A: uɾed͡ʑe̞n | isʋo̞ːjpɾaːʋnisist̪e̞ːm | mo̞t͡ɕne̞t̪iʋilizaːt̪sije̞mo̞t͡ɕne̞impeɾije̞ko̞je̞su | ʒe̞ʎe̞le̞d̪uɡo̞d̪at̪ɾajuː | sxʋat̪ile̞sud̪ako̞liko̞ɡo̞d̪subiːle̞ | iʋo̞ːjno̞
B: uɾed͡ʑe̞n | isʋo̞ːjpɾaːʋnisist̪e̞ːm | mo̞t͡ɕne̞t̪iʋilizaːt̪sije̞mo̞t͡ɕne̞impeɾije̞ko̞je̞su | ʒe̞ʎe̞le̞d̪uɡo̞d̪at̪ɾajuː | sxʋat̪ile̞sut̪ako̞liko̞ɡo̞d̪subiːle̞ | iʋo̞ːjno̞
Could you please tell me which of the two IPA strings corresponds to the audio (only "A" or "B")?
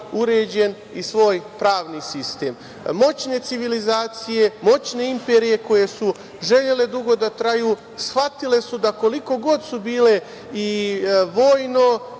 A